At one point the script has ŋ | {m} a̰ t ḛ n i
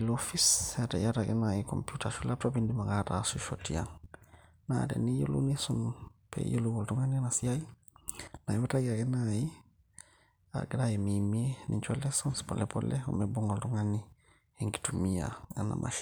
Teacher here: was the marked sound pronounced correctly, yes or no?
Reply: no